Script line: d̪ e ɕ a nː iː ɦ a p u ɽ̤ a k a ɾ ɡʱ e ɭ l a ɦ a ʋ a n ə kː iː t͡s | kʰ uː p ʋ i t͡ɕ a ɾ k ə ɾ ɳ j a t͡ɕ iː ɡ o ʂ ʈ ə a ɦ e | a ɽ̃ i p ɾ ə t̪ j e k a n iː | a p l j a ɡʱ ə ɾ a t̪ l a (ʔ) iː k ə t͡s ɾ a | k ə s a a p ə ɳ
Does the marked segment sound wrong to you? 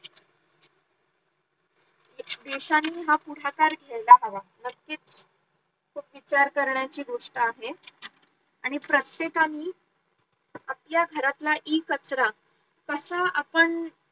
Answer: no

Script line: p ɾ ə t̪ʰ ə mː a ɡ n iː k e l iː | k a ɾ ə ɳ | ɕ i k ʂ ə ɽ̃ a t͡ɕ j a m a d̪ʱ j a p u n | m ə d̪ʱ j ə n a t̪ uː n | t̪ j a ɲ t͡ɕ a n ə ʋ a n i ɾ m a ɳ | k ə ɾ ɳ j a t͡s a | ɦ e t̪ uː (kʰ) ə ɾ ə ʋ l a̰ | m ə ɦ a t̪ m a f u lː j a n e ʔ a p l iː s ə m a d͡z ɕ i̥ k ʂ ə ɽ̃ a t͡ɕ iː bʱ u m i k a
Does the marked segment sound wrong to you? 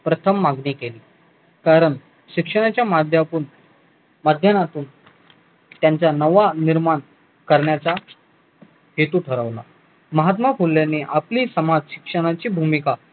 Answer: yes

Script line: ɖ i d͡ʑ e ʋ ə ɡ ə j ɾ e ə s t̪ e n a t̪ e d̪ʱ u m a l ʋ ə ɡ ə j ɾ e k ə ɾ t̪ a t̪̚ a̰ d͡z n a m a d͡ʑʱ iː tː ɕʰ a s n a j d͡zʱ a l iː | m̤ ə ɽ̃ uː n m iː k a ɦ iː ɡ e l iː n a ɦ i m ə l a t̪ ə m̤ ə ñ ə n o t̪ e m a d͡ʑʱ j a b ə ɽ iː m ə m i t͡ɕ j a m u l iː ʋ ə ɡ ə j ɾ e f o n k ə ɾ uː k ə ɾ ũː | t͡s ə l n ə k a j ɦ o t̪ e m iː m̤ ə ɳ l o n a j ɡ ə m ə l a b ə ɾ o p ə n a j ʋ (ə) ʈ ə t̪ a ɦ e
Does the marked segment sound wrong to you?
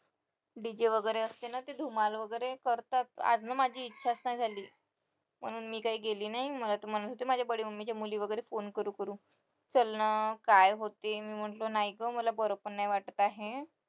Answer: yes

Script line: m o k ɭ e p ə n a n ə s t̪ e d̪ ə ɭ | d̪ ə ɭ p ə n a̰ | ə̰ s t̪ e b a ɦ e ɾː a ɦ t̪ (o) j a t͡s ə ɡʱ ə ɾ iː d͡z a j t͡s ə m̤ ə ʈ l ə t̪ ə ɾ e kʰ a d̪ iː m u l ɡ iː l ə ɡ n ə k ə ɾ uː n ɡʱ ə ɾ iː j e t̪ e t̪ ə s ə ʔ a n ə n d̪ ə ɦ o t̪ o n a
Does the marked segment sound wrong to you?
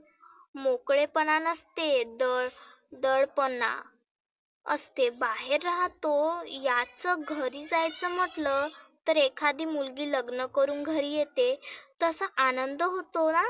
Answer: no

